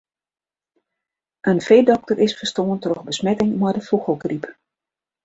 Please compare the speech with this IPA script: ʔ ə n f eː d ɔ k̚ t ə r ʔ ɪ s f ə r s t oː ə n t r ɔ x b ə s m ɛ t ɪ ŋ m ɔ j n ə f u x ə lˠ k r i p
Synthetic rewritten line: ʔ ə n f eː d ɔ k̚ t ə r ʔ ɪ s f ə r s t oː ə n t r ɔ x b ə s m ɛ t ɪ ŋ m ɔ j d ə f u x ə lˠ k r i p